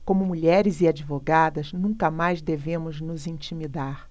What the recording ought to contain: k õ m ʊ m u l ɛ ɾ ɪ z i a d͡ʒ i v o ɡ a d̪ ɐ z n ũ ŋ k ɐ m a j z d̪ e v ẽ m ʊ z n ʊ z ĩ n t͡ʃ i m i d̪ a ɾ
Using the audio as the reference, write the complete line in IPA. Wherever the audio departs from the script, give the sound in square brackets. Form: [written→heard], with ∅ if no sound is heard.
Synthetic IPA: k õ m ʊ m u [l→ʎ] ɛ ɾ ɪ z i a d͡ʒ i v o ɡ a d̪ ɐ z n ũ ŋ k ɐ m a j z d̪ e v ẽ m ʊ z n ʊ z ĩ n t͡ʃ i m i d̪ a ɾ